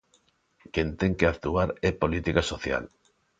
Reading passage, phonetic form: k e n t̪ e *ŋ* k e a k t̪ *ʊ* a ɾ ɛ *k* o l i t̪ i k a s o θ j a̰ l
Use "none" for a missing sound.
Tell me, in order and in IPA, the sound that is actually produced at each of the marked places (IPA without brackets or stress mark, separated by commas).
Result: ŋ, u, p